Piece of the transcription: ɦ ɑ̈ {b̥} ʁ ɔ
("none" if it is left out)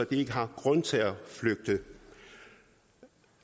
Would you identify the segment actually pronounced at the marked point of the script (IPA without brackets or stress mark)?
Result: ɡ̥